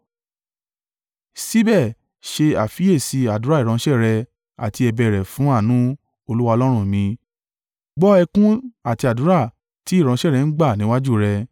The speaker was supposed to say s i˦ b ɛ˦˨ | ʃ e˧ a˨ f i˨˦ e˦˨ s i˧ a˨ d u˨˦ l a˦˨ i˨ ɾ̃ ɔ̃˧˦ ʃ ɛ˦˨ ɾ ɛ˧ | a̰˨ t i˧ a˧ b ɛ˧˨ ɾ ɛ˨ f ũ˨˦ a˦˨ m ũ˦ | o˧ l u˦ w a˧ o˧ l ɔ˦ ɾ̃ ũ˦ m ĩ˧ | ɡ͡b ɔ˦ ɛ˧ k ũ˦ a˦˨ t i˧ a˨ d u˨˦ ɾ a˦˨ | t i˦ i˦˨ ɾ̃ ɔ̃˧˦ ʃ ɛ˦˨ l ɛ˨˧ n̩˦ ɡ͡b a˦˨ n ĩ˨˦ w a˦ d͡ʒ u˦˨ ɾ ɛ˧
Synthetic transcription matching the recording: s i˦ b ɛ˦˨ | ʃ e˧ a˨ f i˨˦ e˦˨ s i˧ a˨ d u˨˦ ɾ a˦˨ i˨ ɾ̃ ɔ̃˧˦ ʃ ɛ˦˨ ɾ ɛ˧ | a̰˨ t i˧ ɛ˧ b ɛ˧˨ ɾ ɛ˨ f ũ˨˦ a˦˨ n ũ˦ | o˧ l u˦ w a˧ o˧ l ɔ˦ ɾ̃ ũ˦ m ĩ˧ | ɡ͡b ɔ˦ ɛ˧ k ũ˦ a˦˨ t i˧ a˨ d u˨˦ ɾ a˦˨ | t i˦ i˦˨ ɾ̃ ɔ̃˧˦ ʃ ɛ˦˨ ɾ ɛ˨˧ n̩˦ ɡ͡b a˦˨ n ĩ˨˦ w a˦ d͡ʒ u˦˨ ɾ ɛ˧